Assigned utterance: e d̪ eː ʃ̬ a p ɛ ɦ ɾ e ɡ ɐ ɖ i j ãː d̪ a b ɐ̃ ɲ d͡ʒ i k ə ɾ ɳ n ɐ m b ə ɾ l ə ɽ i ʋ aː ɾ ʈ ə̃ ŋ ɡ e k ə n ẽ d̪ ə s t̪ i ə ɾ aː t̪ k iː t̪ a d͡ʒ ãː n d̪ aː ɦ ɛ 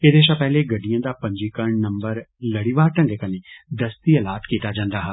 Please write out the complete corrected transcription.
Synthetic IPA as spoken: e d̪ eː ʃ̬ a p ɛ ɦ l e ɡ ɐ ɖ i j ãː d̪ a p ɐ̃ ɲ d͡ʒ i k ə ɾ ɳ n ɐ m b ə ɾ l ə ɽ i ʋ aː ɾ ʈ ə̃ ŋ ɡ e k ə n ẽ d̪ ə s t̪ i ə l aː t̪ k iː t̪ a d͡ʒ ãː n d̪ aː ɦ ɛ

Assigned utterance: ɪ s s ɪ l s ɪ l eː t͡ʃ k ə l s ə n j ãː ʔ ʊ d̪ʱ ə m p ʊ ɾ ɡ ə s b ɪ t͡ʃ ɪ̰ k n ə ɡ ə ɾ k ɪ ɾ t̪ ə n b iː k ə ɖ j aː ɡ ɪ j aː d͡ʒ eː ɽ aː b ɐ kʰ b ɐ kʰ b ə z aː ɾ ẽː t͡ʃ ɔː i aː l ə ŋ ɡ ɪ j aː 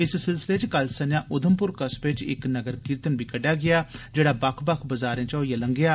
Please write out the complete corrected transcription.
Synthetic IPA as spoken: ɪ s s ɪ l s ɪ l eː t͡ʃ k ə l s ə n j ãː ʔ ʊ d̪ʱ ə m p ʊ ɾ k ə s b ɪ t͡ʃ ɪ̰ k n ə ɡ ə ɾ k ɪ ɾ t̪ ə n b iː k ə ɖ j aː ɡ ɪ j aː d͡ʒ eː ɽ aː b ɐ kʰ b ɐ kʰ b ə z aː ɾ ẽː t͡ʃ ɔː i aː l ə ŋ ɡ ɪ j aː

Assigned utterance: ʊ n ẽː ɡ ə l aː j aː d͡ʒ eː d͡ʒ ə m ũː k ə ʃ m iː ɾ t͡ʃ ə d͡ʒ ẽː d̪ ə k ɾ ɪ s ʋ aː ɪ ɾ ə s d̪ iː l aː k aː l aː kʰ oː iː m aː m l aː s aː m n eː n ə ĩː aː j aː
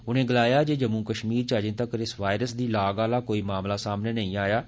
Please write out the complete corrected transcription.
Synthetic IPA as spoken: ʊ n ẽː ɡ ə l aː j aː d͡ʒ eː d͡ʒ ə m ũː k ə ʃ m iː ɾ t͡ʃ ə d͡ʒ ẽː t̪ ə k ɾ ɪ s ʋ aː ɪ ɾ ə s d̪ iː l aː ɡ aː l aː k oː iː m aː m l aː s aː m n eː n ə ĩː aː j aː

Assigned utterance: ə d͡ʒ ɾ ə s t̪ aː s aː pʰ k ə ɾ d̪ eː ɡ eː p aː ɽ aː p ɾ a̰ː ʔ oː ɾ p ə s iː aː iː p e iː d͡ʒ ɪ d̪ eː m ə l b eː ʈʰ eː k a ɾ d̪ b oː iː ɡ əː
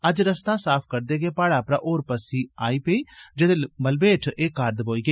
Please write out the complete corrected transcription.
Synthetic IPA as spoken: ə d͡ʒ ɾ ə s t̪ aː s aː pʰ k ə ɾ d̪ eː ɡ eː p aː ɽ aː p ɾ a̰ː ʔ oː ɾ p ə s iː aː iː p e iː d͡ʒ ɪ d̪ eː m ə l b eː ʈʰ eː k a ɾ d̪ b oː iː ɡ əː

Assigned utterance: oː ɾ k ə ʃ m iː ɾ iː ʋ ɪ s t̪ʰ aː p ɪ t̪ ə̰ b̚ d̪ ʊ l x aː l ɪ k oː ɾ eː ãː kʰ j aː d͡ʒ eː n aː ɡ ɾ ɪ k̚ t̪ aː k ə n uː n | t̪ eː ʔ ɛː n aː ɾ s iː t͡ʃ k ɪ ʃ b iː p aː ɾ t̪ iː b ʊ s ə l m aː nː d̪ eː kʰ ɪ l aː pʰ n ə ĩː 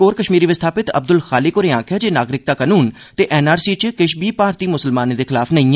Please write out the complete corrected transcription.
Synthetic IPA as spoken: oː ɾ k ə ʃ m iː ɾ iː ʋ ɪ s t̪ʰ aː p ɪ t̪ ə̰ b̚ d̪ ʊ l x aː l ɪ k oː ɾ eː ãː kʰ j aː d͡ʒ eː n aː ɡ ɾ ɪ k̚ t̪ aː k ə n uː n | t̪ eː ʔ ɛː n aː ɾ s iː t͡ʃ k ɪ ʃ b iː p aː ɾ t̪ iː m ʊ s ə l m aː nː d̪ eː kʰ ɪ l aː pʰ n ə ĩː

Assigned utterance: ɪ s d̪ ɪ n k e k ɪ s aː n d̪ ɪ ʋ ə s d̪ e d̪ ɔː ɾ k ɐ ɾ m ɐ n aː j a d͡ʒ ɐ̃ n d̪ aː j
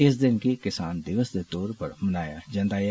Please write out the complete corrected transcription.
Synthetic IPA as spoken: ɪ s d̪ ɪ n k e k ɪ s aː n d̪ ɪ ʋ ə s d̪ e t̪ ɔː ɾ p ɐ ɾ m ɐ n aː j a d͡ʒ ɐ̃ n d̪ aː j

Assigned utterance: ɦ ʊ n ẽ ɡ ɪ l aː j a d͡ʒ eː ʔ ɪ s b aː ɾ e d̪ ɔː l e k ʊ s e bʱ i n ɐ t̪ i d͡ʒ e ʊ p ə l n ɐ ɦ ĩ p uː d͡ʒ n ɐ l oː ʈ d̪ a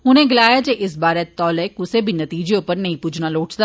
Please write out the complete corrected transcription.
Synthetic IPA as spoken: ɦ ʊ n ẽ ɡ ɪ l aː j a d͡ʒ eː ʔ ɪ s b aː ɾ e t̪ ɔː l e k ʊ s e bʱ i n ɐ t̪ iː d͡ʒ e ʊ p ə ɾ n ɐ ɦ ĩ p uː d͡ʒ n a l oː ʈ d̪ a

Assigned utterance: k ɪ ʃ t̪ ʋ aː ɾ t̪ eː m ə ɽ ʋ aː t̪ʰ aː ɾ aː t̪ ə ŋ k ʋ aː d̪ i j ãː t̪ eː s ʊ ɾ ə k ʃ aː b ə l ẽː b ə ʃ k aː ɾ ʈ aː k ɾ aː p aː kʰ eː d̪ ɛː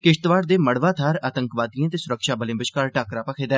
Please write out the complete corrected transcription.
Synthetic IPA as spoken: k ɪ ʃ t̪ ʋ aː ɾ d̪ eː m ə ɽ ʋ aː t̪ʰ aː ɾ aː t̪ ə ŋ k ʋ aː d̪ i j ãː t̪ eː s ʊ ɾ ə k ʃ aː b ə l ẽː b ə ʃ k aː ɾ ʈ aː k ɾ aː p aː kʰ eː d̪ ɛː

